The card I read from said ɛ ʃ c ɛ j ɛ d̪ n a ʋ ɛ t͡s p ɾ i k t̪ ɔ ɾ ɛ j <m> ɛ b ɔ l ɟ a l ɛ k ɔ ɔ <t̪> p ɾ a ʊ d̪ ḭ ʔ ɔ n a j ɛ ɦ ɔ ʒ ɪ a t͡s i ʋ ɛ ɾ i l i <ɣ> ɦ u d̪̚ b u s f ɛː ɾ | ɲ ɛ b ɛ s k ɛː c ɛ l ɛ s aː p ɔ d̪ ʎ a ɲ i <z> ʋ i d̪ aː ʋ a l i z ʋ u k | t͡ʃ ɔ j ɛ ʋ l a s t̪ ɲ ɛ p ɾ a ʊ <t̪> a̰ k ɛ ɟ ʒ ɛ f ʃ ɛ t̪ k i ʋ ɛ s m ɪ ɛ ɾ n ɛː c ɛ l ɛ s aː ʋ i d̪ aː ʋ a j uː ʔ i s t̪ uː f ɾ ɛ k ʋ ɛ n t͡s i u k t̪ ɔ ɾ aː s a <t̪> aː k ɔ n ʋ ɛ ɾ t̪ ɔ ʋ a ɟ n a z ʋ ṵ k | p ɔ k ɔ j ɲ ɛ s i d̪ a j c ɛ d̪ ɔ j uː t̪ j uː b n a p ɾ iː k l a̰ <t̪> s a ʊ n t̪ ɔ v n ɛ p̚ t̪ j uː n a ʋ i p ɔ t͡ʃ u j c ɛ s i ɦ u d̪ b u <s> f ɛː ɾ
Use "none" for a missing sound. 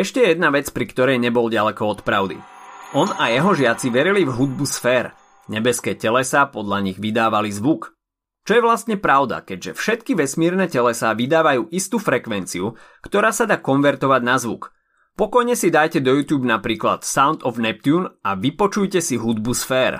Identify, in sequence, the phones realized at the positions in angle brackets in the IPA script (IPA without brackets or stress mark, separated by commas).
ɲ, t̪, v, ɣ, d̪, d̪, t̪, s